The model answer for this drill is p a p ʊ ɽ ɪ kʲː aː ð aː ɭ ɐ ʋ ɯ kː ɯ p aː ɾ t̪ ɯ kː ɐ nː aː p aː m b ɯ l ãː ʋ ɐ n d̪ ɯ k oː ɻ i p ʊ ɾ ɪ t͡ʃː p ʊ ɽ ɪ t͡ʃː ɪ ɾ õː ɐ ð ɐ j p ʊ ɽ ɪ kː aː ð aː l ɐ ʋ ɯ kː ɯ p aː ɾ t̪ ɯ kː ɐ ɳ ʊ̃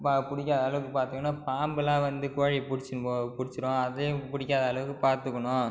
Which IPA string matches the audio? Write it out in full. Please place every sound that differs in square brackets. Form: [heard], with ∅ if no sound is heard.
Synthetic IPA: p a p ʊ ɽ ɪ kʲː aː ð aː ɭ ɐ ʋ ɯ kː ɯ p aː ɾ t̪ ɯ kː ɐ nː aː p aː m b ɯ l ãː ʋ ɐ n d̪ ɯ k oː ɻ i p ʊ [ɽ] ɪ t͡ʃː p ʊ ɽ ɪ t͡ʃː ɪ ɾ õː ɐ ð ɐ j p ʊ ɽ ɪ kː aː ð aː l ɐ ʋ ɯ kː ɯ p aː ɾ t̪ ɯ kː ɐ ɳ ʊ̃